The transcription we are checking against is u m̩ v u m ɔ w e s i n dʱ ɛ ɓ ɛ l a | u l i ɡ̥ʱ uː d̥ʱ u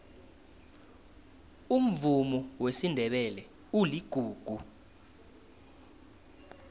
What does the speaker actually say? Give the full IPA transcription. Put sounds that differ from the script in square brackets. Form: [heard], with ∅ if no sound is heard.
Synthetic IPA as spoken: u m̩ v u m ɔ w e s i n dʱ ɛ ɓ ɛ l [ɛ] | u l i ɡ̥ʱ uː [ɡ̥ʱ] u

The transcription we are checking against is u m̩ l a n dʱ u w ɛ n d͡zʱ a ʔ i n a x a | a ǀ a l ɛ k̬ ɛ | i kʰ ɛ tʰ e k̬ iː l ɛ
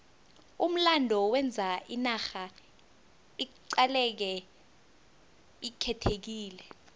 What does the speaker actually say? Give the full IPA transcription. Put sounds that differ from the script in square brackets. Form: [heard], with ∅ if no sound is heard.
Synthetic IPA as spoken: u m̩ l a n dʱ [ɔ] w ɛ n d͡zʱ a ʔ i n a x a | [i] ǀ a l ɛ k̬ ɛ | i kʰ ɛ tʰ e k̬ iː l ɛ

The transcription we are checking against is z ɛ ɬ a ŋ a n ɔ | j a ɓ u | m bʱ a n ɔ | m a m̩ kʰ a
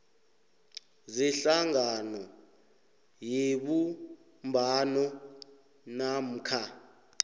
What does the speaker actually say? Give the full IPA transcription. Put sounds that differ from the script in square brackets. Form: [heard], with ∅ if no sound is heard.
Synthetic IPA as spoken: z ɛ ɬ a ŋ a n ɔ | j [e] ɓ u | m bʱ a n ɔ | [n] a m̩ kʰ a

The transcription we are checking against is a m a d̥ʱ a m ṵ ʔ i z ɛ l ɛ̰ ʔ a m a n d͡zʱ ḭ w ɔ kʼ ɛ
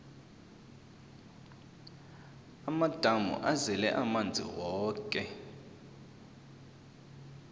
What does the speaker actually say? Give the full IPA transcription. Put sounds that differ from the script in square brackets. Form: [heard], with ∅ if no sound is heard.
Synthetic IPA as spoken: a m a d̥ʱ a m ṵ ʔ [a] z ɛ l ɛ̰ ʔ a m a n d͡zʱ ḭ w [ɔː] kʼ ɛ

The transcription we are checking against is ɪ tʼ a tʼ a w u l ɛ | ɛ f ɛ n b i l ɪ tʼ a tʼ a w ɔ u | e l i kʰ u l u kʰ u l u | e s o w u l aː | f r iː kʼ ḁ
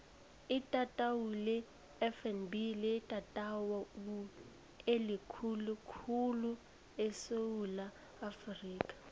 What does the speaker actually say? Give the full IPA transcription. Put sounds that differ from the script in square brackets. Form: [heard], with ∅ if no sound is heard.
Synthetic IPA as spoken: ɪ tʼ a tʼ a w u l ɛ | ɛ f ɛ n b i l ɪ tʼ a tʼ a w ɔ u | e l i kʰ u l u kʰ u l u | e s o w u l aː | f r iː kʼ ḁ

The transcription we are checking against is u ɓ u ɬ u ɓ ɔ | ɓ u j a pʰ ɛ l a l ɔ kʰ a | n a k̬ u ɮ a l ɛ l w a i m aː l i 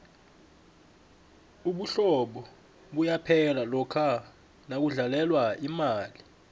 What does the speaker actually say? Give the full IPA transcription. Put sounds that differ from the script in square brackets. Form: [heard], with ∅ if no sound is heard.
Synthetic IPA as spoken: u ɓ u ɬ [ɔ] ɓ ɔ | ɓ u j a pʰ ɛ l a l ɔ kʰ a | n a k̬ u ɮ a l ɛ l w a i m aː l i

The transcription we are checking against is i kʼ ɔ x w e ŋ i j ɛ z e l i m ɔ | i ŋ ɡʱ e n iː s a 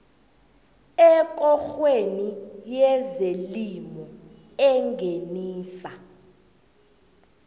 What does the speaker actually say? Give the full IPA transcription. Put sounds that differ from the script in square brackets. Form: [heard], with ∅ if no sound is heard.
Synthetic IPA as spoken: [ɛ] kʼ ɔ x w e [n] i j ɛ z e l i m ɔ | [ɛ] ŋ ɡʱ e n iː s a

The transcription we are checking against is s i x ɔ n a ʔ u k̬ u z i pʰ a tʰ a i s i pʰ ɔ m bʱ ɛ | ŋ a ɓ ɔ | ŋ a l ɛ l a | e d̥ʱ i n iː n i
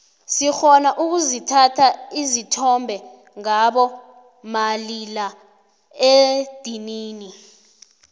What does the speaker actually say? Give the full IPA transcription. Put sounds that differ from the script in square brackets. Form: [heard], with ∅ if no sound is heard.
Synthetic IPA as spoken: s i x ɔ n a ʔ u k̬ u z i [tʰ] a tʰ a i [z] i [tʰ] ɔ m bʱ ɛ | ŋ a ɓ ɔ | [m] a l [i] l a | e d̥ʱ i n iː n i

